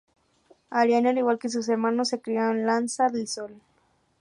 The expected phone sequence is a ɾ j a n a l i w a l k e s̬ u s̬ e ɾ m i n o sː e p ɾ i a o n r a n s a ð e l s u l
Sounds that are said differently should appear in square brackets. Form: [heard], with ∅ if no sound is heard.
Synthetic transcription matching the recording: a ɾ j a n a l i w a l k e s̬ u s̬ e ɾ m [a] n o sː e [k] ɾ i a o n [l] a n s a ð e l s [o] l